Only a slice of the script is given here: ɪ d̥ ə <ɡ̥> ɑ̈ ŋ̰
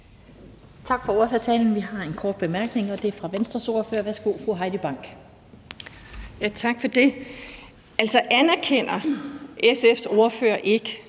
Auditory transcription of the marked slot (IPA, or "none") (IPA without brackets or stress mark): b̥